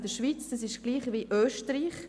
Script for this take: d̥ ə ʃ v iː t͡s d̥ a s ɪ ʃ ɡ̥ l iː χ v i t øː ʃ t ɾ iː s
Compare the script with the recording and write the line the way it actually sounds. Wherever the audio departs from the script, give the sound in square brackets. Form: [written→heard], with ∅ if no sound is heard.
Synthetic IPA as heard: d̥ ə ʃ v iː t͡s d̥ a s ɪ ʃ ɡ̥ l iː χ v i [t→ʔ] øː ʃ t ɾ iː [s→χ]